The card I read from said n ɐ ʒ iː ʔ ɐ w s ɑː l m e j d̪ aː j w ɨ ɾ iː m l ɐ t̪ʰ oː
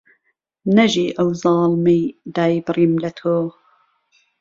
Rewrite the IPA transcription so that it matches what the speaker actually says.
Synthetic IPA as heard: n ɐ ʒ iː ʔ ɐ w z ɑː l m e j d̪ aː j b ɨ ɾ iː m l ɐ t̪ʰ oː